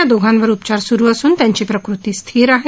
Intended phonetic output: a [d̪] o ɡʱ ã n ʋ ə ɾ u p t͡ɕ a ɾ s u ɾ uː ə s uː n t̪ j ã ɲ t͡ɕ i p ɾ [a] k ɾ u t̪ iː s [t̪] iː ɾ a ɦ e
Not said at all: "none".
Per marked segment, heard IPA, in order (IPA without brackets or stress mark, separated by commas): d̪, ə, t̪ʰ